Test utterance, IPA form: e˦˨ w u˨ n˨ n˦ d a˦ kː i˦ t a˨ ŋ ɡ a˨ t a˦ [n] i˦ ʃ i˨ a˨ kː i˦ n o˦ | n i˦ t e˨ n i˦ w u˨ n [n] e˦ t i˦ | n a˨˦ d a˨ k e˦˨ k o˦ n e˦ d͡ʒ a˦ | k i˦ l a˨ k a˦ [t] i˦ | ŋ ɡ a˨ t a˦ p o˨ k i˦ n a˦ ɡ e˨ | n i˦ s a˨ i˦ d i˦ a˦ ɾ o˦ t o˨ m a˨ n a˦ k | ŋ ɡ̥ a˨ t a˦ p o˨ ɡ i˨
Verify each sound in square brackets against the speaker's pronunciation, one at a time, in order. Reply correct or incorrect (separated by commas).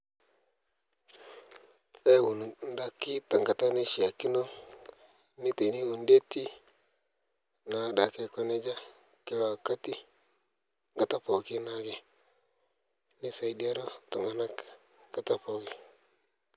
correct, incorrect, correct